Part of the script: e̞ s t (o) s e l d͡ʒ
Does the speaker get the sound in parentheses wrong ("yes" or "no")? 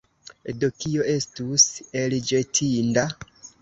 yes